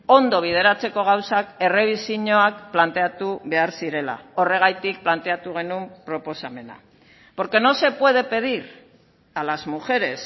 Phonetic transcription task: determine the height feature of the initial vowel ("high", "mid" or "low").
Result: mid